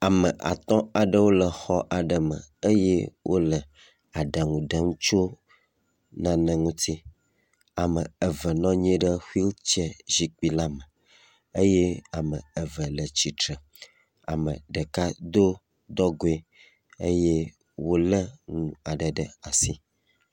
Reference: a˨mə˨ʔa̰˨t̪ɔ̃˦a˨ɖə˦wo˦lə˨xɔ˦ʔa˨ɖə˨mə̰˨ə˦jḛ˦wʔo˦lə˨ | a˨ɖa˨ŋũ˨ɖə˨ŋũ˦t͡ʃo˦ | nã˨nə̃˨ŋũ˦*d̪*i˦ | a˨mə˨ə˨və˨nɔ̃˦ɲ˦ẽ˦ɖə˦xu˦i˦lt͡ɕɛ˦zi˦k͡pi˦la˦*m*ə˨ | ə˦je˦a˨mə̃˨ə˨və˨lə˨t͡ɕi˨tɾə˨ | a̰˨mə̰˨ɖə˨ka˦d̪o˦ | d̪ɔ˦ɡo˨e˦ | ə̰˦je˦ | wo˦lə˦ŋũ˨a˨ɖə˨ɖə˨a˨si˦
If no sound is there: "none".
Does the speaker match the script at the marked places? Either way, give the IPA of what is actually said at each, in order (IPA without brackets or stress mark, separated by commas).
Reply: t̪, m